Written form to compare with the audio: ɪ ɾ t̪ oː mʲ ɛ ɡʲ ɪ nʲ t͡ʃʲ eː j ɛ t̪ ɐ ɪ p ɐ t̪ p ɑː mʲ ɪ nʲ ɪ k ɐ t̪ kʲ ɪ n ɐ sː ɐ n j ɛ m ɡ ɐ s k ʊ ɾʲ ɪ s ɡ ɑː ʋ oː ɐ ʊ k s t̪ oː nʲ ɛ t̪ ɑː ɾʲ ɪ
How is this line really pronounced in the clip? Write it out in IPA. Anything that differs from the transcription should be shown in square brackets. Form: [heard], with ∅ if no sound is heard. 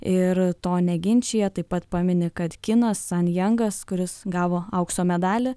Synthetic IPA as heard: ɪ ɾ t̪ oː [nʲ] ɛ ɡʲ ɪ nʲ t͡ʃʲ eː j ɛ t̪ ɐ ɪ p ɐ t̪ p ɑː mʲ ɪ nʲ ɪ k ɐ t̪ kʲ ɪ n ɐ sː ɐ n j ɛ [ŋ] ɡ ɐ s k ʊ ɾʲ ɪ s ɡ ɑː ʋ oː ɐ ʊ k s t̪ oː [mʲ] ɛ [d̪] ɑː [lʲ] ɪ